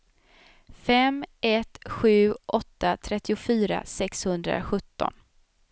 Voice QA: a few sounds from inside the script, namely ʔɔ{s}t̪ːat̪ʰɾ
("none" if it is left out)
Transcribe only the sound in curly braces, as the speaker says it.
none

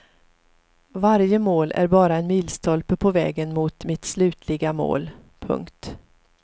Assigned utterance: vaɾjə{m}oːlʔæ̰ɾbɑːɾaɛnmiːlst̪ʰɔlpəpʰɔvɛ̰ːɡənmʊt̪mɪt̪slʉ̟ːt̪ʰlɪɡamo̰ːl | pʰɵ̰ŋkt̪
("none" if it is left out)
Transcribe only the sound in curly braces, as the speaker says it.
m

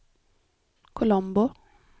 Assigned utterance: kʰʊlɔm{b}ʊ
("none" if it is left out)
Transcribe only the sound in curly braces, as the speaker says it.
b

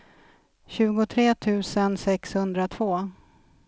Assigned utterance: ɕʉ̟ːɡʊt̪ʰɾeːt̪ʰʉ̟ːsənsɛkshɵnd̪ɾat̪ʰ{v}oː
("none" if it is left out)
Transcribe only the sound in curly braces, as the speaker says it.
v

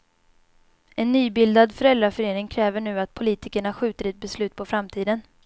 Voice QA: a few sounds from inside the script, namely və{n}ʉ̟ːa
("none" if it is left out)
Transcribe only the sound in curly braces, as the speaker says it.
ɳ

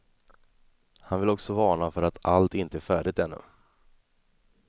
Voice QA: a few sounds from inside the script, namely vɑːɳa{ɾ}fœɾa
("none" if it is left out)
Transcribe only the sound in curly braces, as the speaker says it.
none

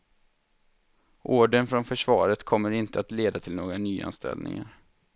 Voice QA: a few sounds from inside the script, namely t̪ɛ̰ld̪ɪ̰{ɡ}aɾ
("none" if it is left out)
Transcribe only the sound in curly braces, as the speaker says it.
ŋ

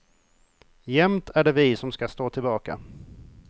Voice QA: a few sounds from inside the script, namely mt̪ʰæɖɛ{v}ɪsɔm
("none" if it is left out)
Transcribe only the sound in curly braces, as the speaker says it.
v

